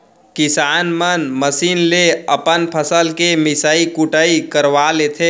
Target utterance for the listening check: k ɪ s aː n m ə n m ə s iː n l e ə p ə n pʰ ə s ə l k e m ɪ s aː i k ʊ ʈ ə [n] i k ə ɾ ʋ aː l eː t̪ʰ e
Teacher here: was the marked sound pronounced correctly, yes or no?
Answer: no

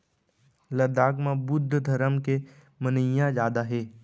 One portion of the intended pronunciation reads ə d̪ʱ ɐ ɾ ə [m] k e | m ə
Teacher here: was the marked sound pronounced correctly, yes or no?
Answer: yes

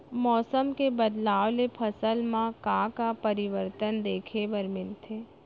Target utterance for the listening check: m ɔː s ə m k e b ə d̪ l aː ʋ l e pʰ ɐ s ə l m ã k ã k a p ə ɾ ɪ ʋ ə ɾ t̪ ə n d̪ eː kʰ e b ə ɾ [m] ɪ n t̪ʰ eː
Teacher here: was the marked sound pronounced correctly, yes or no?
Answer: yes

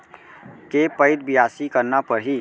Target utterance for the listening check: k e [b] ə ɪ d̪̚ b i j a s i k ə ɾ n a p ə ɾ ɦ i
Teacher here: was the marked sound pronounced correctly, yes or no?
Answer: no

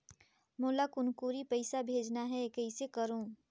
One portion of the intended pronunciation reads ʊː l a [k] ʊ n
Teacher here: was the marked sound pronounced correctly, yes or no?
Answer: yes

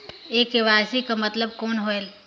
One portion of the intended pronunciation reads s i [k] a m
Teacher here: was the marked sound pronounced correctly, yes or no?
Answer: yes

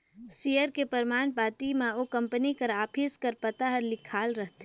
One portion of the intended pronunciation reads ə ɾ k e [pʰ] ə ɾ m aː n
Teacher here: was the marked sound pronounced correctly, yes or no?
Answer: no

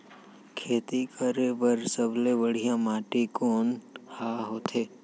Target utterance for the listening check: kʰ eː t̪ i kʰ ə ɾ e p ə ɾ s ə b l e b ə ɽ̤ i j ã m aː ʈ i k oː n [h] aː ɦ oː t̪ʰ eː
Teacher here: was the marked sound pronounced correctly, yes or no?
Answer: yes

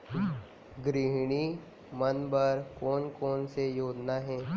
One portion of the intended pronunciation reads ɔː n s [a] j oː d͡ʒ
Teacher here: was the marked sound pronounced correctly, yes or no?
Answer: no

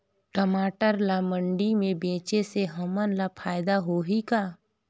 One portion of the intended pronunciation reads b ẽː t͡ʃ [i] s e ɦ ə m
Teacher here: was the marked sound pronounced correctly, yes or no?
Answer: no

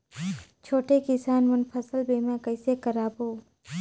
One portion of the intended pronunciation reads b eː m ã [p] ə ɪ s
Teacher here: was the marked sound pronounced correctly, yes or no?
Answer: no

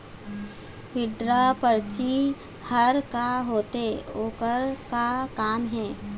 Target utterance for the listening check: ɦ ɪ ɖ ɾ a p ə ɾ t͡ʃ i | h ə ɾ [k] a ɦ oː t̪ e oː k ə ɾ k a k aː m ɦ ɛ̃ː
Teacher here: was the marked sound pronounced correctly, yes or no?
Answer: yes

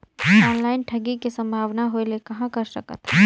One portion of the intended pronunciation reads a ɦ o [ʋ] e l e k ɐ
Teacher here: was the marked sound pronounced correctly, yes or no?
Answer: no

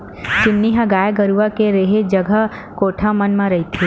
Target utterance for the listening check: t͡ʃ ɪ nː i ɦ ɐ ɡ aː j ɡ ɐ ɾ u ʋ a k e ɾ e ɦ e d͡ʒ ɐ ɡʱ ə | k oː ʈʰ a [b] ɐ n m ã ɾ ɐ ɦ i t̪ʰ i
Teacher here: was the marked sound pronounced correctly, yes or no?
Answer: no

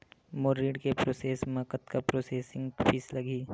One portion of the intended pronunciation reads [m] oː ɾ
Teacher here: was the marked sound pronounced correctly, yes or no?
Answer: yes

